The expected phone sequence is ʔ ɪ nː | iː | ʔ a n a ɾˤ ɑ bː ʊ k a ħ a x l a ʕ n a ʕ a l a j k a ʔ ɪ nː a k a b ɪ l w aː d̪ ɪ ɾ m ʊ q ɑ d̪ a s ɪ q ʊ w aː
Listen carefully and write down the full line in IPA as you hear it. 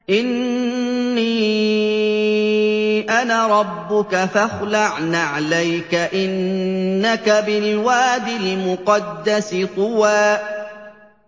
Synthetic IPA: ʔ ɪ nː | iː | ʔ a n a ɾˤ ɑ bː ʊ k a f a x l a ʕ n a ʕ a l a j k a ʔ ɪ nː a k a b ɪ l w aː d̪ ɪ l m ʊ q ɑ d̪ː a s ɪ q ʊ w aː